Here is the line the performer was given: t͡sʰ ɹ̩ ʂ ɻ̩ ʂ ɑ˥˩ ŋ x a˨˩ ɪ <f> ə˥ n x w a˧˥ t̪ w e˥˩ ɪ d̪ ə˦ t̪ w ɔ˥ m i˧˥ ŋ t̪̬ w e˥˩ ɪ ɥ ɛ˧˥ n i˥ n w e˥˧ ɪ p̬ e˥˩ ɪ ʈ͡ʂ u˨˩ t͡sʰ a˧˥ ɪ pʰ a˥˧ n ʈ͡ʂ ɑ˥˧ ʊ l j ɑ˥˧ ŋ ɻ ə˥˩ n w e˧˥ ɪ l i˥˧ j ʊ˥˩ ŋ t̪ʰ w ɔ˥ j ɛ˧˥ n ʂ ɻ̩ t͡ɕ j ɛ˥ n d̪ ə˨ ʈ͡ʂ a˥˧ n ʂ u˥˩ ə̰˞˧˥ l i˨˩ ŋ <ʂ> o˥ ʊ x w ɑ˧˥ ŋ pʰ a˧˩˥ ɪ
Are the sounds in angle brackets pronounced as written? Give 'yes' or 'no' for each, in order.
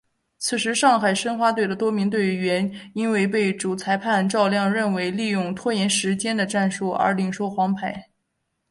no, yes

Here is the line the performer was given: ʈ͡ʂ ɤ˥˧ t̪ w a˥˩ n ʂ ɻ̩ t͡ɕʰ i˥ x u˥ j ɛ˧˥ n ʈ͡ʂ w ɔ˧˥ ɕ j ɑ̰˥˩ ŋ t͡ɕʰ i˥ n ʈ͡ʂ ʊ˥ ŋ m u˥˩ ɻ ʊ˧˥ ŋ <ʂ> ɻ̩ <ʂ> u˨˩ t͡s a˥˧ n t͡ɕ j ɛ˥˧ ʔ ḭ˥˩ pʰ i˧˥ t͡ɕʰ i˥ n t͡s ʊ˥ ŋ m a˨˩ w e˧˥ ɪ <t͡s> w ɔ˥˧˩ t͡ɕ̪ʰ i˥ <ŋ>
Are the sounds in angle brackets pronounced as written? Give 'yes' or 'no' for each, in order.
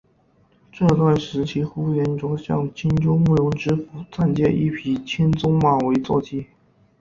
no, no, yes, no

